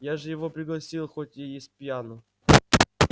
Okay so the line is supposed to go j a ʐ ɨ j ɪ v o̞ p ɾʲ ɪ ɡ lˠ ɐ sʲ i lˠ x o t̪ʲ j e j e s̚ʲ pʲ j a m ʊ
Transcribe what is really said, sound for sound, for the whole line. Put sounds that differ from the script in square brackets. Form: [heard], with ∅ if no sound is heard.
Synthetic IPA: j a ʐ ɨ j ɪ v o̞ p ɾʲ ɪ ɡ lˠ ɐ sʲ i lˠ x o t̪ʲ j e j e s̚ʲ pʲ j a [n] ʊ

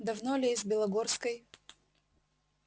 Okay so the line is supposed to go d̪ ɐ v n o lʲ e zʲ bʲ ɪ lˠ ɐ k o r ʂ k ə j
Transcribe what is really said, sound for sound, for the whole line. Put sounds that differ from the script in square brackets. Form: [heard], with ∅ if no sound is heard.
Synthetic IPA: d̪ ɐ v n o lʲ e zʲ bʲ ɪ lˠ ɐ [ɡ] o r [s] k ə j

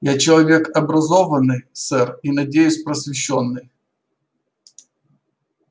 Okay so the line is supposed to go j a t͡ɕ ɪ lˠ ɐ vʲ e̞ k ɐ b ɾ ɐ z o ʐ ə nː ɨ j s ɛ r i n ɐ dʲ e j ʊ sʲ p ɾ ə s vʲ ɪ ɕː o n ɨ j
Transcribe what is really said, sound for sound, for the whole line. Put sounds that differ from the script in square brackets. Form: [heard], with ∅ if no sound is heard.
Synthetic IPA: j a t͡ɕ ɪ lˠ ɐ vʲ e̞ k ɐ b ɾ ɐ z o [v] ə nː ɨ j s ɛ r i n ɐ dʲ e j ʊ sʲ p ɾ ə s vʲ ɪ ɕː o [nː] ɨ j

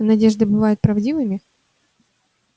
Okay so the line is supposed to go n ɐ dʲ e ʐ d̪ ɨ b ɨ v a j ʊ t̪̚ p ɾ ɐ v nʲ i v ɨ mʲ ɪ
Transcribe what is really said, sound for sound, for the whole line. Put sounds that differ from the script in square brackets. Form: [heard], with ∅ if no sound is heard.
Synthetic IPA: n ɐ dʲ e ʐ d̪ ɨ b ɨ v a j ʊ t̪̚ p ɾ ɐ v [dʲ] i v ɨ mʲ ɪ

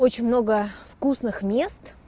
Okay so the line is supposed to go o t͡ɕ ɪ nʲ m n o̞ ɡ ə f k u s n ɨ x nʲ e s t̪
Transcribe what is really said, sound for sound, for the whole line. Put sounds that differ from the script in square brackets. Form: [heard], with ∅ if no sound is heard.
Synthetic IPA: o t͡ɕ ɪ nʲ m n o̞ ɡ ə f k u s n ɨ x [mʲ] e s t̪

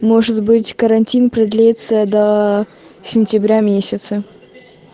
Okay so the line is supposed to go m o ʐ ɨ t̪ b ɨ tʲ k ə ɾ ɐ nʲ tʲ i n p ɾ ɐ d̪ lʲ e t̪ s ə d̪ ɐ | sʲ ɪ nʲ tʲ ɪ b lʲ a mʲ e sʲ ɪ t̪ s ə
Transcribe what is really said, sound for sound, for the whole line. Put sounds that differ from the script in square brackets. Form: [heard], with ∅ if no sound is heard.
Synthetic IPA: m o ʐ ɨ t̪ b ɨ tʲ k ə ɾ ɐ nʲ tʲ i n p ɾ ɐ d̪ lʲ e t̪ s ə d̪ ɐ | sʲ ɪ nʲ tʲ ɪ b [ɾʲ] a mʲ e sʲ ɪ t̪ s ə

